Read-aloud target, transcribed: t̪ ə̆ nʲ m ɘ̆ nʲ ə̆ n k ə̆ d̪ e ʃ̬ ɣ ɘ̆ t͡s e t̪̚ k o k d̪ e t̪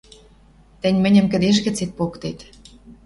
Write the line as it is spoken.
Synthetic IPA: t̪ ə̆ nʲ m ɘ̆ nʲ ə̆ m k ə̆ d̪ e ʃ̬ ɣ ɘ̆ t͡s e t̪̚ p o k t̪ e t̪